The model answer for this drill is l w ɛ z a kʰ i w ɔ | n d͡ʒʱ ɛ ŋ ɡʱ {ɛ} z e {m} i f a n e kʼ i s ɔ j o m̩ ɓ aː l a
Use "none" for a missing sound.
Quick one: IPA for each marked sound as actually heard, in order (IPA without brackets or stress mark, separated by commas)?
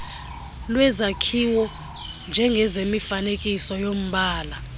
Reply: ɛ, m